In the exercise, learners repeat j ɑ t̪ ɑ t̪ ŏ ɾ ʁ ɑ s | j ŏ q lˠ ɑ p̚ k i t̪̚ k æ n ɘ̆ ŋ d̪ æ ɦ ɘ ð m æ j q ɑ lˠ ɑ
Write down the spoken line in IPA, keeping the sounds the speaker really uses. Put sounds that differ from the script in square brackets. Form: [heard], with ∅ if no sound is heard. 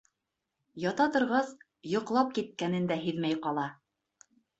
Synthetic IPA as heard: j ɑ t̪ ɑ t̪ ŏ ɾ ʁ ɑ s | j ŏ q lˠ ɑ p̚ k i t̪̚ k æ n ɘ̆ [n] d̪ æ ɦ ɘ ð m æ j q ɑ lˠ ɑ